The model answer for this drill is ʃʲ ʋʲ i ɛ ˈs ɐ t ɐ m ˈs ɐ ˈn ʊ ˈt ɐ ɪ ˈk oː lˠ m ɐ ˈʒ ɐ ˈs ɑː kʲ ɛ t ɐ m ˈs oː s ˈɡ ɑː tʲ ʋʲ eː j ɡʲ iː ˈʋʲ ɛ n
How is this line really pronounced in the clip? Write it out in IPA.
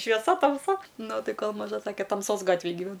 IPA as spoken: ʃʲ ʋʲ i ɛ ˈs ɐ t ɐ m ˈs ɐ ˈn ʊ ˈt ɐ ɪ ˈk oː lˠ m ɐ ˈʒ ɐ ˈs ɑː kʲ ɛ t ɐ m ˈs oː s ˈɡ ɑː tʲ ʋʲ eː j ɡʲ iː ˈʋʲ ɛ n